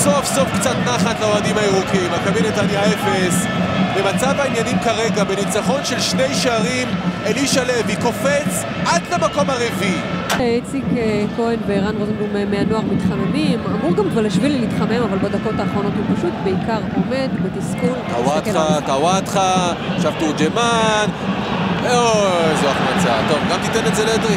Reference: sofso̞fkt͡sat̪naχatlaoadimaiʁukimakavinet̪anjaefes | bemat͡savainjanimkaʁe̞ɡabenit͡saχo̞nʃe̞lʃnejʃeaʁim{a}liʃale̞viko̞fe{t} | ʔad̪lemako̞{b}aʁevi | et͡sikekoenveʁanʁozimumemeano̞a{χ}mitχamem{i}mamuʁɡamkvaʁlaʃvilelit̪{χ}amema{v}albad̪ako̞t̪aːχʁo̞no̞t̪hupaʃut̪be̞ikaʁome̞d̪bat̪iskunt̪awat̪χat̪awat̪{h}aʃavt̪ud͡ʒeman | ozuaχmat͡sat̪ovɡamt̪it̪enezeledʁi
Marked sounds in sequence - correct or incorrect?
incorrect: e, incorrect: t͡s, incorrect: m, incorrect: ʁ, correct, correct, correct, incorrect: χ

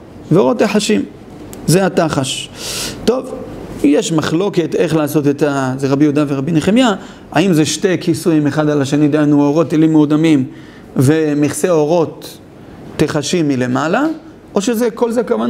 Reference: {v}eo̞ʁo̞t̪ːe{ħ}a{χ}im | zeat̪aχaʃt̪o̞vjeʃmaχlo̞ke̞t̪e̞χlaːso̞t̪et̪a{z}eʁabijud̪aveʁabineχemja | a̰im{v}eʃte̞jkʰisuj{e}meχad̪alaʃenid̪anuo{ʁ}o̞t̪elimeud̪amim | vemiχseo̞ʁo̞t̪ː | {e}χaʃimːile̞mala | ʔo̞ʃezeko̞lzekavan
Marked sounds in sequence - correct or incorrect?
correct, correct, incorrect: ʃ, correct, incorrect: z, incorrect: i, correct, correct

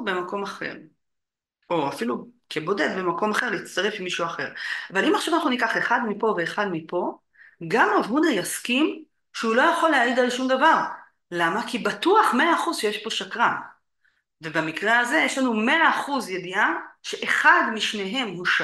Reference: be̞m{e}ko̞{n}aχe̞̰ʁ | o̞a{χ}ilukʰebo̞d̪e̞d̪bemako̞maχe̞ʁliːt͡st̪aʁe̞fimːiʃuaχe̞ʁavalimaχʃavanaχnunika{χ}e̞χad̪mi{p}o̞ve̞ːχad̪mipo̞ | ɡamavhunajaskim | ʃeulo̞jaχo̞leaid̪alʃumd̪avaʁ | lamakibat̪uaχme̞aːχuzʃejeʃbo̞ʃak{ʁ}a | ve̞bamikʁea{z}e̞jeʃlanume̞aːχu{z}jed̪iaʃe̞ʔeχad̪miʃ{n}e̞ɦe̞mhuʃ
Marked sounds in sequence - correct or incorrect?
incorrect: a, incorrect: m, incorrect: f, correct, correct, correct, correct, correct, correct

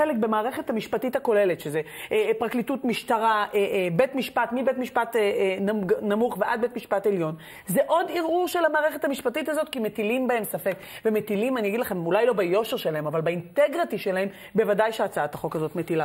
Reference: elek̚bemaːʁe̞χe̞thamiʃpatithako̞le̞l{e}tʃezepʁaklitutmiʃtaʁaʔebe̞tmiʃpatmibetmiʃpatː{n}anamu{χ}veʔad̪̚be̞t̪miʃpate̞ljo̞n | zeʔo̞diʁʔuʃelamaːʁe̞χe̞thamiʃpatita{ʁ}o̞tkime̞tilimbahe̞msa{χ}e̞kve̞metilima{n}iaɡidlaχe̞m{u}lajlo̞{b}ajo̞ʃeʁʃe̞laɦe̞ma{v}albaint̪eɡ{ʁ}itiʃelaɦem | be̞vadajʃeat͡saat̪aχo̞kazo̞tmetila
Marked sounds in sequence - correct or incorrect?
correct, correct, correct, incorrect: z, incorrect: f, correct, correct, correct, correct, correct

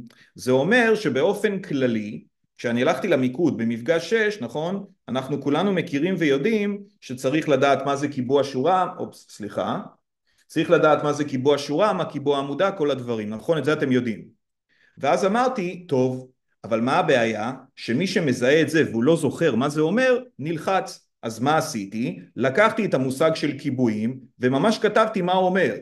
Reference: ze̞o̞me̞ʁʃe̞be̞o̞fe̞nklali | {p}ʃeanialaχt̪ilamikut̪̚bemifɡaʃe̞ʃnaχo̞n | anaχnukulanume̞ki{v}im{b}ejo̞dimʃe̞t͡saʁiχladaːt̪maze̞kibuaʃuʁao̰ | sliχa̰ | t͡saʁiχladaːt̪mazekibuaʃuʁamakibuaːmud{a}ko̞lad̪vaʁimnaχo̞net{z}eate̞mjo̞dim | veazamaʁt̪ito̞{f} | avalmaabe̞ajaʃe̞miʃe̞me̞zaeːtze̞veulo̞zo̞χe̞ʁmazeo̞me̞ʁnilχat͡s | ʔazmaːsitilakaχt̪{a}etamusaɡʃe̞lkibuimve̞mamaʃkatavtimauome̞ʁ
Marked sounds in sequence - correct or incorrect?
incorrect: k, incorrect: ʁ, incorrect: v, correct, correct, incorrect: v, incorrect: i

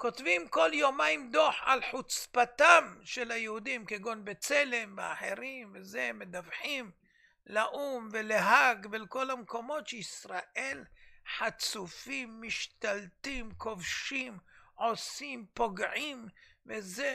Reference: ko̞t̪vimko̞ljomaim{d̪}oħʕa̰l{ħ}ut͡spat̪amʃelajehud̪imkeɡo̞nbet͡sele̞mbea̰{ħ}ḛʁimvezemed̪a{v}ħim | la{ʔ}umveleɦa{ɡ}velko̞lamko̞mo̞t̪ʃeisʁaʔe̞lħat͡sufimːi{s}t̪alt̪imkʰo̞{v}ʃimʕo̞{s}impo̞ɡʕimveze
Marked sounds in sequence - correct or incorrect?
correct, correct, correct, correct, correct, correct, incorrect: ʃ, correct, correct

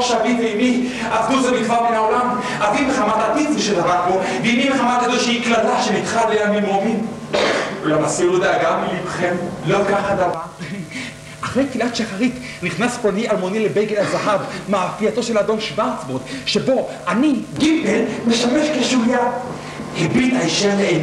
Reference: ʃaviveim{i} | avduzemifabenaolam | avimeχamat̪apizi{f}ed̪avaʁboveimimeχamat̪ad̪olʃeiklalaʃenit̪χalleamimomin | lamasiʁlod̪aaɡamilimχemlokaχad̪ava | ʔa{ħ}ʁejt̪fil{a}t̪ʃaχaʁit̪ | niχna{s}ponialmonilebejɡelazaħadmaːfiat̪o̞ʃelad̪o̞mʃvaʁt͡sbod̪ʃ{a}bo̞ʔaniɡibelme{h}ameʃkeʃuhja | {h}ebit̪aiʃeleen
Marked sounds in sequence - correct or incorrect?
correct, incorrect: ʃ, incorrect: χ, correct, correct, incorrect: e, incorrect: ʃ, correct

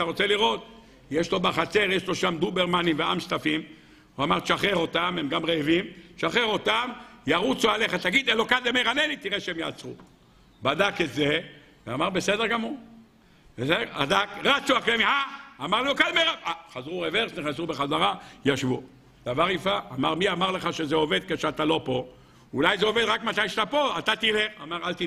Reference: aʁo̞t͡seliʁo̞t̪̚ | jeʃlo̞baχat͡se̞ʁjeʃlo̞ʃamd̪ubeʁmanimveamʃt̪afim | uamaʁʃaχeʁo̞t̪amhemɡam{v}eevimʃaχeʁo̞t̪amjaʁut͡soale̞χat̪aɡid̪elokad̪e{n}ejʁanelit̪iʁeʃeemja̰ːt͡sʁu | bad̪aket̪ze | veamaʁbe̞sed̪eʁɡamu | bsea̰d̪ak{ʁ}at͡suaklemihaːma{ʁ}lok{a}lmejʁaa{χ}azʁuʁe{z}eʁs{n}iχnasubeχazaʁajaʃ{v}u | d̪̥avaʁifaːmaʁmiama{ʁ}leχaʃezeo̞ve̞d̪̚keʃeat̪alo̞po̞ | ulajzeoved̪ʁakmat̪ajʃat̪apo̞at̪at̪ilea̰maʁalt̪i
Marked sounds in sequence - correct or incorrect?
incorrect: ʁ, incorrect: m, correct, correct, correct, correct, incorrect: v, correct, correct, correct

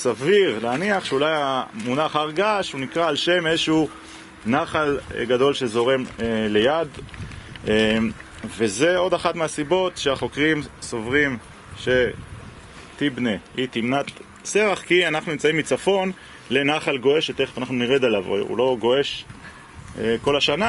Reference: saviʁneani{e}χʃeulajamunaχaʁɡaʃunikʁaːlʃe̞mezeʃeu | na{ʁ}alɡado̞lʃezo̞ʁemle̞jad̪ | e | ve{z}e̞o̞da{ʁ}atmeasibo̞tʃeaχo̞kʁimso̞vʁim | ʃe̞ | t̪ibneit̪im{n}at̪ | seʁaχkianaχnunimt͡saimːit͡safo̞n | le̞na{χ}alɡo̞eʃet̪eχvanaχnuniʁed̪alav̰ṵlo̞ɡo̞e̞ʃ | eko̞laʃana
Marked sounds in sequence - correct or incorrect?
incorrect: a, incorrect: χ, correct, incorrect: χ, correct, correct

